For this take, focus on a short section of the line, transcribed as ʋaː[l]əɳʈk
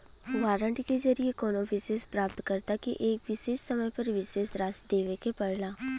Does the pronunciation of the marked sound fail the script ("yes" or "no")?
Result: yes